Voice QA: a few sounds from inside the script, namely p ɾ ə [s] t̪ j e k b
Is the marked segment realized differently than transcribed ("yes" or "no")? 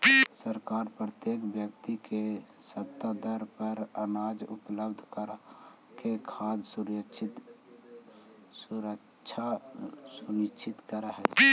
yes